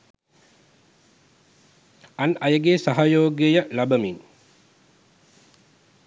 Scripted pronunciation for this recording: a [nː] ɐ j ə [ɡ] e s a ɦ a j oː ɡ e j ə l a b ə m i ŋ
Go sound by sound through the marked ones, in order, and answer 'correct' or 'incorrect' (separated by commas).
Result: incorrect, correct